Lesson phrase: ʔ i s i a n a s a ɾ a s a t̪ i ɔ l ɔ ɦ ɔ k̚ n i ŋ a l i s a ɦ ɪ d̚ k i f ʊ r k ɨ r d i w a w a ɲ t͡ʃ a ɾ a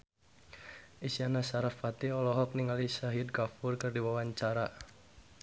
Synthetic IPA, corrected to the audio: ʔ i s i a n a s a ɾ a f a t̪ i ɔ l ɔ ɦ ɔ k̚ n i ŋ a l i s a ɦ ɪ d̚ k a f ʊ r k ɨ r d i w a w a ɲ t͡ʃ a ɾ a